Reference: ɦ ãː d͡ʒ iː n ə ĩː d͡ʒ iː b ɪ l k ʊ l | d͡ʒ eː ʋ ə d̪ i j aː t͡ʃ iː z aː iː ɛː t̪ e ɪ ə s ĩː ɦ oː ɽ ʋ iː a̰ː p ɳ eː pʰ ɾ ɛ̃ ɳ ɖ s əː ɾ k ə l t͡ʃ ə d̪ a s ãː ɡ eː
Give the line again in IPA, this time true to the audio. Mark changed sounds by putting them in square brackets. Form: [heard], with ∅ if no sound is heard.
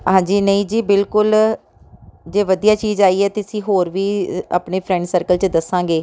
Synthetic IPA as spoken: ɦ ãː d͡ʒ iː n ə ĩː d͡ʒ iː b ɪ l k ʊ l | d͡ʒ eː ʋ ə d̪ i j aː t͡ʃ iː z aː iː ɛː t̪ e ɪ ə s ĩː ɦ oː [ɾ] ʋ iː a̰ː p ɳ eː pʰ ɾ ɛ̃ ɳ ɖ s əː ɾ k ə l t͡ʃ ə d̪ [ə] s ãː ɡ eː